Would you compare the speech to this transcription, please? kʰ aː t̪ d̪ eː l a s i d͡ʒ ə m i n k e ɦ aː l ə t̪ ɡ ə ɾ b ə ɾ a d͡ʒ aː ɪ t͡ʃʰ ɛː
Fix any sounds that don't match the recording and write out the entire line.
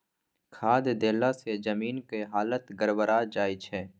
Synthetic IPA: kʰ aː d̪ d̪ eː l a s e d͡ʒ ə m iː n k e ɦ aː l ə t̪ ɡ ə ɾ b ə ɾ a d͡ʒ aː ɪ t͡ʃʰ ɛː

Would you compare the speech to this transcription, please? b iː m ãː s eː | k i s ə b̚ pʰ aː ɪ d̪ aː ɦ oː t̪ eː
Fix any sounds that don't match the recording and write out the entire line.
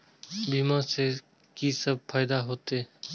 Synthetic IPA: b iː m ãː s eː | k iː s ə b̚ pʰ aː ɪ d̪ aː ɦ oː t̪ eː

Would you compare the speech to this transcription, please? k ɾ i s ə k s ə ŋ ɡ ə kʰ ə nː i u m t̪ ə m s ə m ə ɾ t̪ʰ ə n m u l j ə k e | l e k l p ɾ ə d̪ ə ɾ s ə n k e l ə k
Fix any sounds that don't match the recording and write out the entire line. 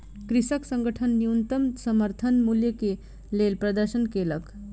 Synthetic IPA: k ɾ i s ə k s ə ŋ ɡ ə ʈʰ ə nː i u n t̪ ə m s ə m ə ɾ t̪ʰ ə n m u l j ə k e | l e l p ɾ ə d̪ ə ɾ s ə n k e l ə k

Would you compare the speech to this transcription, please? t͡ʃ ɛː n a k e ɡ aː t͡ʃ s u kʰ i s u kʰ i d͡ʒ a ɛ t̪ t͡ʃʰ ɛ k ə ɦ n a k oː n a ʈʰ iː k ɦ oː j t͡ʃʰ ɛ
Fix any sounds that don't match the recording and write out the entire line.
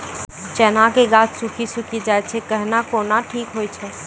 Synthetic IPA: t͡ʃ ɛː n a k e ɡ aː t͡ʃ s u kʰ i s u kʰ i d͡ʒ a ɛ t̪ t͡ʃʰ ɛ k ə ɦ n a k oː n a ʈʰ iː k ɦ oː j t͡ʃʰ ɛ

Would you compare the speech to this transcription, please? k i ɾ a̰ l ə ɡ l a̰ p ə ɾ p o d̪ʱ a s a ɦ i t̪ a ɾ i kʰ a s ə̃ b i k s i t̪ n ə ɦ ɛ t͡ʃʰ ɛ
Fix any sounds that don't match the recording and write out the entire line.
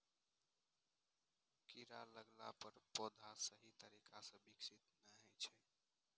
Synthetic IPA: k i ɾ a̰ l ə ɡ l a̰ p ə ɾ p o d̪ʱ a s ə ɦ i t̪ ə ɾ i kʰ a s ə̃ b i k s i t̪ n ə ɦ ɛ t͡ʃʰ ɛ

